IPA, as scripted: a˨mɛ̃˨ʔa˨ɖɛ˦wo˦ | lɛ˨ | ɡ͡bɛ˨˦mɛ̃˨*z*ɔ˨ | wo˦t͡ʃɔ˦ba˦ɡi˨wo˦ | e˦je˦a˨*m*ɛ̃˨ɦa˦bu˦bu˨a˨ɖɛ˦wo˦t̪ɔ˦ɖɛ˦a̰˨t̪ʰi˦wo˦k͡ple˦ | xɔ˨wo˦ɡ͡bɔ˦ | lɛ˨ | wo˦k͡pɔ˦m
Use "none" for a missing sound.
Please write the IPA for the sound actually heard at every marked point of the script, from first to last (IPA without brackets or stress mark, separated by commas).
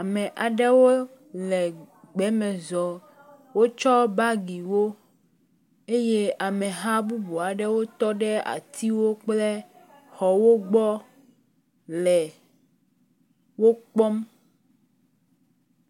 z, m